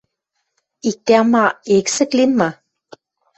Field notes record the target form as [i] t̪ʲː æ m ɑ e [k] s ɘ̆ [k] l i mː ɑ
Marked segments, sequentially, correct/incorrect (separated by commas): correct, correct, correct